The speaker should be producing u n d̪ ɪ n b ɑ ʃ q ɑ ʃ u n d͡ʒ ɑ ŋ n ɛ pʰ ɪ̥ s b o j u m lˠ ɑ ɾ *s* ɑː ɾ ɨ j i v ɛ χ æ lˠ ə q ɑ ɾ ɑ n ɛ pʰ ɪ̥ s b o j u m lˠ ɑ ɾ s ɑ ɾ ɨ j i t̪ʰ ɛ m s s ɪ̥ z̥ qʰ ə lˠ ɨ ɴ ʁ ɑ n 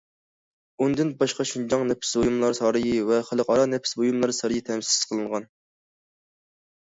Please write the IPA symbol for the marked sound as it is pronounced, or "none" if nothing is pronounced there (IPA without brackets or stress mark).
s